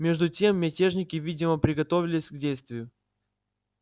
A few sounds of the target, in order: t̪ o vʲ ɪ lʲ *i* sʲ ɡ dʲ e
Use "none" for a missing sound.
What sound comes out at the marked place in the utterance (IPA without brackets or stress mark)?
ɪ